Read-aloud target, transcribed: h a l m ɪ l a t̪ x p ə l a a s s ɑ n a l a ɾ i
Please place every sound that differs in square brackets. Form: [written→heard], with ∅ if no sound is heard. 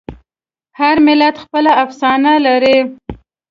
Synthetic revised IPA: h a [l→ɾ] m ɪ l a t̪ x p ə l a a [s→f] s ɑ n a l a ɾ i